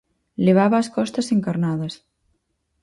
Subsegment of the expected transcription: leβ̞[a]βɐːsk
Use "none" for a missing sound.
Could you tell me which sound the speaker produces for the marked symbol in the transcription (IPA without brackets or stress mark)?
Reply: a